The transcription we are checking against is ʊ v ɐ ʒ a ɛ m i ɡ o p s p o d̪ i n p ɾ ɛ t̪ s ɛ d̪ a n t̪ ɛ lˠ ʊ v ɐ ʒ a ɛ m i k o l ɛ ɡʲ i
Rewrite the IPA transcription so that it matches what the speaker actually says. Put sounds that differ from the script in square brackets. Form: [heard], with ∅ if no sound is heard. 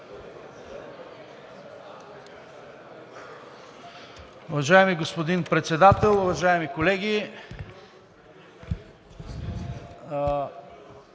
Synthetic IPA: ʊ v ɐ ʒ a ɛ m i ɡ o [∅] s p o d̪ i n p ɾ ɛ t̪ s ɛ d̪ a [∅] t̪ ɛ lˠ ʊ v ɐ ʒ a ɛ m i k o l ɛ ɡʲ i